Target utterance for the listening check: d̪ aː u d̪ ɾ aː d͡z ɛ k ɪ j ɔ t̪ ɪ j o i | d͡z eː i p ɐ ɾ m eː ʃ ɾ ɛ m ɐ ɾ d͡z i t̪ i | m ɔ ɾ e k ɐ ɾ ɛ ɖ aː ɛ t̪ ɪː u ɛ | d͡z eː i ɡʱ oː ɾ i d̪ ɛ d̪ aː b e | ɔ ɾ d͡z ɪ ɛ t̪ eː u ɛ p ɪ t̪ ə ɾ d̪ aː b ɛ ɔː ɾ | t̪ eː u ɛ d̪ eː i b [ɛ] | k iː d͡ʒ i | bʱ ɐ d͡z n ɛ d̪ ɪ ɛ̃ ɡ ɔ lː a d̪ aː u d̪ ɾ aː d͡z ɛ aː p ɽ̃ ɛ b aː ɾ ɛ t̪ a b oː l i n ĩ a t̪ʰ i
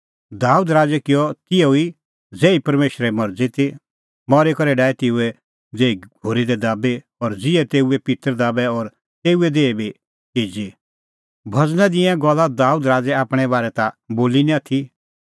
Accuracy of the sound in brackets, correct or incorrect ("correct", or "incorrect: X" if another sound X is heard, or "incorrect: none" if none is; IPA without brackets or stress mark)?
incorrect: i